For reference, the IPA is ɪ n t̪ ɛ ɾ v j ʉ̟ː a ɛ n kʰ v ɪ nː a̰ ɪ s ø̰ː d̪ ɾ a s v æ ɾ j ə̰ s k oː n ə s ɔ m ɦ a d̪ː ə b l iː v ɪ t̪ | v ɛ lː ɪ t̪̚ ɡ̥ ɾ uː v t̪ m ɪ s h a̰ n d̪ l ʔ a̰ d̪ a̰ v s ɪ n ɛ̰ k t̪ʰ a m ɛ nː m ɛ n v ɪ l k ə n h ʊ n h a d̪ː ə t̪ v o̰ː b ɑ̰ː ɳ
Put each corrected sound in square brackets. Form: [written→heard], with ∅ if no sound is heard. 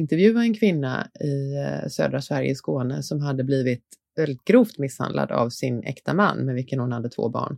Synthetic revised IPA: ɪ n t̪ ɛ ɾ v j ʉ̟ː a ɛ n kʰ v ɪ nː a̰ ɪ s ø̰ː d̪ ɾ a s v æ ɾ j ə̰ s k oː n ə s ɔ m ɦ a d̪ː ə b l iː v ɪ t̪ | v ɛ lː ɪ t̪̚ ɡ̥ ɾ uː [v→f] t̪ m ɪ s h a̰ n d̪ l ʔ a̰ d̪ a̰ v s ɪ n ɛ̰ k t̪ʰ a m [ɛ→a] nː m ɛ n v ɪ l k ə n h ʊ n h a d̪ː ə [t̪→t̪ʰ] v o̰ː b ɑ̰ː ɳ